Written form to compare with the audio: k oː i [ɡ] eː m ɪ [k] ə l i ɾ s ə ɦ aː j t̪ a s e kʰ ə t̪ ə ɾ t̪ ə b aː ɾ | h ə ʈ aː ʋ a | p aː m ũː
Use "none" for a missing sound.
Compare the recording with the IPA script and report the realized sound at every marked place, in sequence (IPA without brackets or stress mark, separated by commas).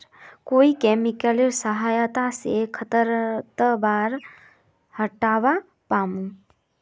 k, k